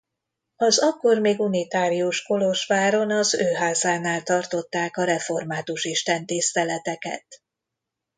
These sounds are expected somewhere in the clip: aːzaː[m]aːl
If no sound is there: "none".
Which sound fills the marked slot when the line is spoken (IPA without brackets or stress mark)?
n